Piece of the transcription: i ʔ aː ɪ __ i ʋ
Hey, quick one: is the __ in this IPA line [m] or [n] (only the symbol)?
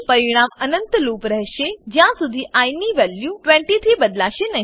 n